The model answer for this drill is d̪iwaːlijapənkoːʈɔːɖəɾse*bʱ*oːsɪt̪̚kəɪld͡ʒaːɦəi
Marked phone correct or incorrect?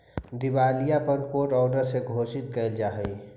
incorrect